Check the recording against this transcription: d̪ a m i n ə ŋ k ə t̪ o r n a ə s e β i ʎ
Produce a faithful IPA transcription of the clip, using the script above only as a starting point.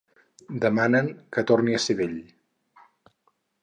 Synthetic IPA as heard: d̪ ə m a n ə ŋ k ə t̪ o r n i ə s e β e ʎ